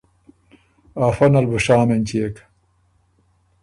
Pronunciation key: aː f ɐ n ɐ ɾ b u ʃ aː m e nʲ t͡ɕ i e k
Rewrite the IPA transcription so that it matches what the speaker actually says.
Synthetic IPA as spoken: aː f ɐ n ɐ l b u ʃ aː m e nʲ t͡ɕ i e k